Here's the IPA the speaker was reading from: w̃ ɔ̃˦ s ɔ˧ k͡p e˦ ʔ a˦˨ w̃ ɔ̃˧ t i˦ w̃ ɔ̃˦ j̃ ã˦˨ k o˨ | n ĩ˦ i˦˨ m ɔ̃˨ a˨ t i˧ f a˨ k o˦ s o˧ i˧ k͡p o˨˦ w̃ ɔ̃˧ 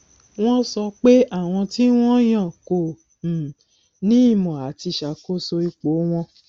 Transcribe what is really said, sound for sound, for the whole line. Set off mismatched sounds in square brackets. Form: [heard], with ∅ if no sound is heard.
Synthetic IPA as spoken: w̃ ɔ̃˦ s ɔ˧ k͡p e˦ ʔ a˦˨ w̃ ɔ̃˧ t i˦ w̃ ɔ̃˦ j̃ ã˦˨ k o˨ | n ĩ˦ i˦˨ m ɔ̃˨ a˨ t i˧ [ʃ] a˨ k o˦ s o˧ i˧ k͡p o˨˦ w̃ ɔ̃˧